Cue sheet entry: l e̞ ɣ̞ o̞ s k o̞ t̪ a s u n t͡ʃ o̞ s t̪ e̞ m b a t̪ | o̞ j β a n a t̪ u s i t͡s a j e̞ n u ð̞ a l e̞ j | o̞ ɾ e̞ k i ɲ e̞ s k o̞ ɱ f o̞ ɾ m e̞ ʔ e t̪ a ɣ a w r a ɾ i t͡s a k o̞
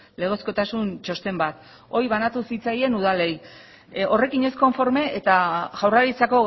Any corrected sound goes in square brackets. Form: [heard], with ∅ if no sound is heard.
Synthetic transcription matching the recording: l e̞ ɣ̞ o̞ s k o̞ t̪ a s u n t͡ʃ o̞ s t̪ e̞ m b a t̪ | o̞ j β a n a t̪ u s i t͡s a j e̞ n u ð̞ a l e̞ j | o̞ [r] e̞ k i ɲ e̞ s k o̞ ɱ f o̞ ɾ m e̞ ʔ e t̪ a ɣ a w r a ɾ i t͡s a k o̞